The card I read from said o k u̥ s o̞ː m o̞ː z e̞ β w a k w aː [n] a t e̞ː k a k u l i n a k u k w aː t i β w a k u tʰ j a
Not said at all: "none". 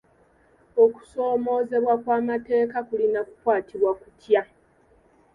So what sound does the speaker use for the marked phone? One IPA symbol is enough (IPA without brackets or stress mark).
m